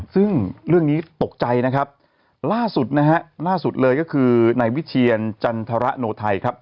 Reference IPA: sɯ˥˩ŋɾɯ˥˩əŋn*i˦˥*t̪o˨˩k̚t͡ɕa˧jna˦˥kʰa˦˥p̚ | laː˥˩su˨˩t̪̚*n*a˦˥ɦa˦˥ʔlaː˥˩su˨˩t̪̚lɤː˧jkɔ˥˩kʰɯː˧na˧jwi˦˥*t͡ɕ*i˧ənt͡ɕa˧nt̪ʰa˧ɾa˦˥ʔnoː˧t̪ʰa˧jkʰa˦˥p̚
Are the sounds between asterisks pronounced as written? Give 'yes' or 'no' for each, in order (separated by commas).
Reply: no, yes, no